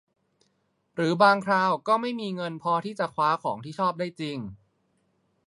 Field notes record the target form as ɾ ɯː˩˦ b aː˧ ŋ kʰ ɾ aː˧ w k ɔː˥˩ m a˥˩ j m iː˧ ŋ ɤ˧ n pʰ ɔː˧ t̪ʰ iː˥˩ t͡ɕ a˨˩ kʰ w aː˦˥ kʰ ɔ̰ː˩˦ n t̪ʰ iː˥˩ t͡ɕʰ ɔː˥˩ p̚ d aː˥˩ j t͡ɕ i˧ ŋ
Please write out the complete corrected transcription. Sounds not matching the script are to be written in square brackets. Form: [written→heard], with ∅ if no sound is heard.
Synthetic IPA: ɾ ɯː˩˦ b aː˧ ŋ kʰ ɾ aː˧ w k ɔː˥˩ m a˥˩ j m iː˧ ŋ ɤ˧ n pʰ ɔː˧ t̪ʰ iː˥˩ t͡ɕ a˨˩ kʰ w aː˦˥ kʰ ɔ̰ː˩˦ [n→ŋ] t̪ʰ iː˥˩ t͡ɕʰ ɔː˥˩ p̚ d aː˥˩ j t͡ɕ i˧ ŋ